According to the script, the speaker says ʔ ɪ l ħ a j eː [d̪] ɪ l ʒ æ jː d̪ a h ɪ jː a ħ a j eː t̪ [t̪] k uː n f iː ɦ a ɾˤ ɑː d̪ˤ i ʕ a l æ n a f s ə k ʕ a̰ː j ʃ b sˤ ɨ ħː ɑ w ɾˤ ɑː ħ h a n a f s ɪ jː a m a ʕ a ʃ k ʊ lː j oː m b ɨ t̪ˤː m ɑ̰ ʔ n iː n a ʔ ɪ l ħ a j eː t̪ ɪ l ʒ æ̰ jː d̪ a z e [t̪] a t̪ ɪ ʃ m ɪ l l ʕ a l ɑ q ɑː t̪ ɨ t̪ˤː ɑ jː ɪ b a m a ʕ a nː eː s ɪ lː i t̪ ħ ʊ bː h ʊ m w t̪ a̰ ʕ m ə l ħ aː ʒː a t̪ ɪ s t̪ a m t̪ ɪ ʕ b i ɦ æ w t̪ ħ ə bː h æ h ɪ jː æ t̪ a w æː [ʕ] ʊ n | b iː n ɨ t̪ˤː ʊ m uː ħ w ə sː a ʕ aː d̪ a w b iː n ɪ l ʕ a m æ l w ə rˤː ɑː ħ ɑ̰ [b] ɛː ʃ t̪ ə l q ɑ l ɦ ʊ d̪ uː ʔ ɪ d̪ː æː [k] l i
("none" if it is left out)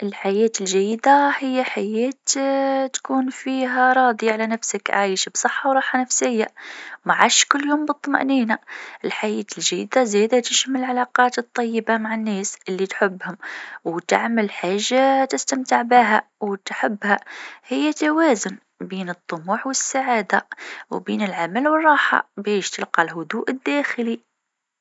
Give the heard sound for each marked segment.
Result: t̪, t̪, d̪, z, b, x

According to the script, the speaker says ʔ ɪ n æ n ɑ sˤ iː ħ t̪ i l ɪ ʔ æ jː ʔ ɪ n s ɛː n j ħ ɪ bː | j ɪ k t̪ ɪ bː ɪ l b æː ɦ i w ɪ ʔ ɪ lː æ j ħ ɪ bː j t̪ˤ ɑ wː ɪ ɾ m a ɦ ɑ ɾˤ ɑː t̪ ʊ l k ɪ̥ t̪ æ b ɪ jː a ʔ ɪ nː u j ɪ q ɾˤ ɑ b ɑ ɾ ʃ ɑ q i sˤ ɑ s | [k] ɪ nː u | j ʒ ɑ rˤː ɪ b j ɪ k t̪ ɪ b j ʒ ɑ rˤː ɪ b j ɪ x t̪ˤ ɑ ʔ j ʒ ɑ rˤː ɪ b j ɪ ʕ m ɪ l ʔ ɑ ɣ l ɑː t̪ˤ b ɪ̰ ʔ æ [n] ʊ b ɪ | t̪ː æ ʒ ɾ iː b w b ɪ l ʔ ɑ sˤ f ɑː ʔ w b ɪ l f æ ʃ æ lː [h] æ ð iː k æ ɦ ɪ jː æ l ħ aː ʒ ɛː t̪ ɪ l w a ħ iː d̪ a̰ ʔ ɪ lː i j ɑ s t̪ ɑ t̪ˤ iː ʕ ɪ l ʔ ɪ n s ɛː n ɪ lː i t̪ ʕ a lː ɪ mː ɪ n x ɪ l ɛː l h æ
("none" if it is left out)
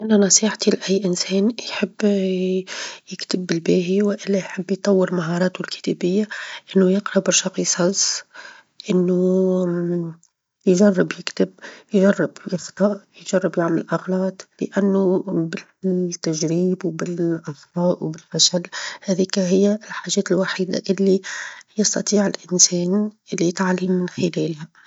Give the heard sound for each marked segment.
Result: ʔ, nː, h

